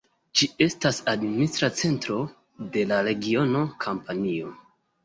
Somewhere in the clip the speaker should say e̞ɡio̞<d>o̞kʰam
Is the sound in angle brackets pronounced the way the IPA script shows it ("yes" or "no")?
no